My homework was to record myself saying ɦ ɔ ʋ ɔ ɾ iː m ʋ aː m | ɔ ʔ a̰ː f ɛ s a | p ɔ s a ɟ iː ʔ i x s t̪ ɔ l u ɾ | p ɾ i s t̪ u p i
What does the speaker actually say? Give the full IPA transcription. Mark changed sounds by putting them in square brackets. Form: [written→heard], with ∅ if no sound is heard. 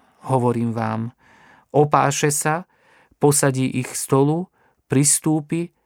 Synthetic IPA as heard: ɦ ɔ ʋ ɔ ɾ iː m ʋ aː m | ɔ [ʔ→p] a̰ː [f→ʃ] ɛ s a | p ɔ s a ɟ iː ʔ i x s t̪ ɔ l u [ɾ→∅] | p ɾ i s t̪ [u→uː] p i